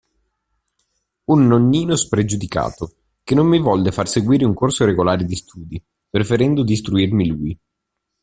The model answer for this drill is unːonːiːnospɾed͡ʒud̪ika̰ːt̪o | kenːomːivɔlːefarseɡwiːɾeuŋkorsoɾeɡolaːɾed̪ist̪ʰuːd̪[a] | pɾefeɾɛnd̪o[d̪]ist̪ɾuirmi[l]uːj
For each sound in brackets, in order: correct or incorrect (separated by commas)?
incorrect, correct, correct